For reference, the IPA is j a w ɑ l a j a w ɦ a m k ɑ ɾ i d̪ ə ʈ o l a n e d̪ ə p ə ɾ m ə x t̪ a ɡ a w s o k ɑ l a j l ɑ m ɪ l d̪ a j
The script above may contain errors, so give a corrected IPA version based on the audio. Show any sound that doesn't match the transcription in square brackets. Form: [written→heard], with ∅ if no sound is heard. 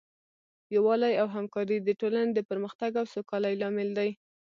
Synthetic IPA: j a w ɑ l a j a w ɦ a m k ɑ ɾ i d̪ ə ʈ o l a n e d̪ ə p ə ɾ m ə x t̪ a ɡ a w s o k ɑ l a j l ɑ m ɪ l d̪ a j